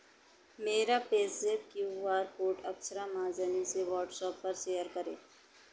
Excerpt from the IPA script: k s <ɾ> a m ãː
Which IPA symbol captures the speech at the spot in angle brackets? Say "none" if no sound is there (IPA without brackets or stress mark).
ɾ